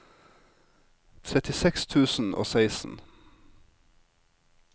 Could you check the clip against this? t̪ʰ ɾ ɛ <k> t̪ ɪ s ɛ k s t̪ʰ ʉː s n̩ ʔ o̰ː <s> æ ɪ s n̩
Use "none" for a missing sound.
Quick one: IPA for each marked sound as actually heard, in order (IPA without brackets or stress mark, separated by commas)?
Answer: none, s